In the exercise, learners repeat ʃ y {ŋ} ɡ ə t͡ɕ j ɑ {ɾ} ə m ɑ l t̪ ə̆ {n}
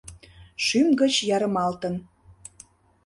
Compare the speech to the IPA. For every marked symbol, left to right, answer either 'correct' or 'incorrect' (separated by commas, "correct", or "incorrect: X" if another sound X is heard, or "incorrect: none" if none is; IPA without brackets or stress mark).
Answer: incorrect: m, correct, correct